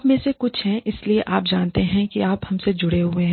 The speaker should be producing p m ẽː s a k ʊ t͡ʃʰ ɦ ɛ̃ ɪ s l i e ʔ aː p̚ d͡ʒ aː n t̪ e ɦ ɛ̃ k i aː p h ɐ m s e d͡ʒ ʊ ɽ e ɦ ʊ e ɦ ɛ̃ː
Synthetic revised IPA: p m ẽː s e k ʊ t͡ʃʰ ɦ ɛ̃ ɪ s l i e ʔ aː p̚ d͡ʒ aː n t̪ e ɦ ɛ̃ k i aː p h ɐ m s e d͡ʒ ʊ ɽ e ɦ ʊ e ɦ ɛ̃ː